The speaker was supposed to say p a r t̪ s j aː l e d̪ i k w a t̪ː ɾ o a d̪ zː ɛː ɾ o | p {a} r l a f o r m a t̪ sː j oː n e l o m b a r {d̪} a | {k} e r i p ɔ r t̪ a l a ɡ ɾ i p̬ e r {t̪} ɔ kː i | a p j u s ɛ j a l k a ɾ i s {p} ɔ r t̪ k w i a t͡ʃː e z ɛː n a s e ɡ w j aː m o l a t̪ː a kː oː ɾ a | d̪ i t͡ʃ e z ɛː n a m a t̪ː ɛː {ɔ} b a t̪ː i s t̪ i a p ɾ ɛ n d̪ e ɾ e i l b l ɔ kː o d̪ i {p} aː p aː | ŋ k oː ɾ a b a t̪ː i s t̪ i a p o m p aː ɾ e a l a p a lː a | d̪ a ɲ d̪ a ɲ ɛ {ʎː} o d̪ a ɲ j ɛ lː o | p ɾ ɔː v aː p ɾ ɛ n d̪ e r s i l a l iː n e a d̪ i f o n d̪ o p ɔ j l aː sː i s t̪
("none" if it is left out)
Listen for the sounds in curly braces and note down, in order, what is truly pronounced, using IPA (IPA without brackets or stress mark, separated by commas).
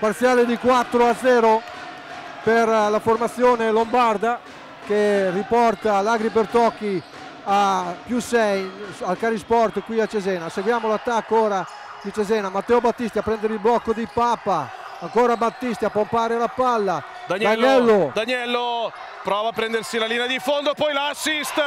e, d̪, k, t̪, p, o, p, lː